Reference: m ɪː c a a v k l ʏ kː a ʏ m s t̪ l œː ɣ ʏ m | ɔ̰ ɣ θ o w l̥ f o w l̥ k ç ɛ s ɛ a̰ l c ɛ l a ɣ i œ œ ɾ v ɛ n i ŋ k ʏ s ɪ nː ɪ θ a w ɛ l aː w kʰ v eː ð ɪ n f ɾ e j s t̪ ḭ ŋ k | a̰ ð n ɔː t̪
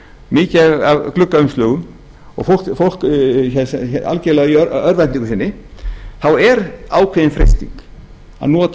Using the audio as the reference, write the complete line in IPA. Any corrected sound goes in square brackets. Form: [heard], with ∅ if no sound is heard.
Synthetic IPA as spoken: m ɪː c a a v k l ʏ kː a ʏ m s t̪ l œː ɣ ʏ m | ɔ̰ ɣ [f] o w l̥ f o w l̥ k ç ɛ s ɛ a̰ l c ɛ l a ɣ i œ œ ɾ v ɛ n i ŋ k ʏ s ɪ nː ɪ θ a w ɛ [ɾ] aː w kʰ v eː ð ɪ n f ɾ e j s t̪ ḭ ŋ k | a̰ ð n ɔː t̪